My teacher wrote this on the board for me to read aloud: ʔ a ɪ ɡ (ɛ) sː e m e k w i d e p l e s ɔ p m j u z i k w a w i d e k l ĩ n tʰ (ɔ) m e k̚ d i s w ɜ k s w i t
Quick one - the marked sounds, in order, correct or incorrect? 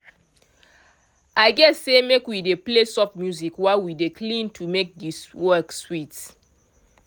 correct, incorrect

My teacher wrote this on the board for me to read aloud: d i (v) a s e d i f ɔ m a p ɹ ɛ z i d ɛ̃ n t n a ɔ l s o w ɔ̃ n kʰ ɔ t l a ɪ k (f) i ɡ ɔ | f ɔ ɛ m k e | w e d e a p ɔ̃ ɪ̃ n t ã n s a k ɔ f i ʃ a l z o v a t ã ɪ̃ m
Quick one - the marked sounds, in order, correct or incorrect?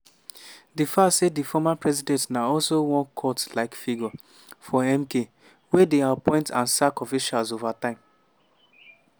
incorrect, correct

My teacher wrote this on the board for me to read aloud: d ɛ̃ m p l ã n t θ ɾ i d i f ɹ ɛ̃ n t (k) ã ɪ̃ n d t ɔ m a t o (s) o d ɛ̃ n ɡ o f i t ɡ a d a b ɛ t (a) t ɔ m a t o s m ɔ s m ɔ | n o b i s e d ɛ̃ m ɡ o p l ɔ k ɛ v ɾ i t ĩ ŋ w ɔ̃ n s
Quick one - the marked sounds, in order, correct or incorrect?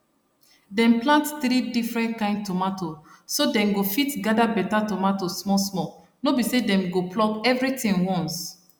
correct, correct, correct

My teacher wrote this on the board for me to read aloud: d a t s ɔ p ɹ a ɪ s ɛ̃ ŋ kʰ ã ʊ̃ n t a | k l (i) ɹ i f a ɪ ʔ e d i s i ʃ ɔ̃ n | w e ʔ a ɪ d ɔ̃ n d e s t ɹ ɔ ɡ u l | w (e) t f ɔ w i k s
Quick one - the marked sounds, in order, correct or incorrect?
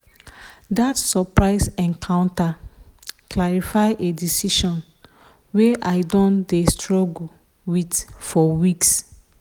incorrect, incorrect

